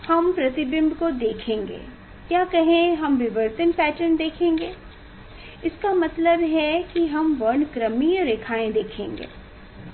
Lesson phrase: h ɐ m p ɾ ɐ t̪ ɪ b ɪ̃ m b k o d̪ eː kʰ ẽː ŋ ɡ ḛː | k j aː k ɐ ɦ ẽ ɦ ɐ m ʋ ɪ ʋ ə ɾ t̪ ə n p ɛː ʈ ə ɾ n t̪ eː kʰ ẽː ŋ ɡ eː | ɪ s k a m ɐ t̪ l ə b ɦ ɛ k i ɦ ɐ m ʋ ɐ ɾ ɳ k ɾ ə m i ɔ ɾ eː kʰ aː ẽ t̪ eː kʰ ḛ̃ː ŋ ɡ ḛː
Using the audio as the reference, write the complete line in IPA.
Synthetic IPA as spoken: h ɐ m p ɾ ɐ t̪ ɪ b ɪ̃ m b k o d̪ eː kʰ ẽː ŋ ɡ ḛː | k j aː k ɐ ɦ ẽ ɦ ɐ m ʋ ɪ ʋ ə ɾ t̪ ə n p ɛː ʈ ə ɾ n d̪ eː kʰ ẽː ŋ ɡ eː | ɪ s k a m ɐ t̪ l ə b ɦ ɛ k i ɦ ɐ m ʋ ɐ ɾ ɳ k ɾ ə m i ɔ ɾ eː kʰ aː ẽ d̪ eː kʰ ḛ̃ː ŋ ɡ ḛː